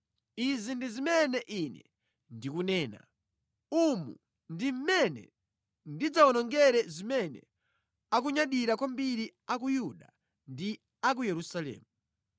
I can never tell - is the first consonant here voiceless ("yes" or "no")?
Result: no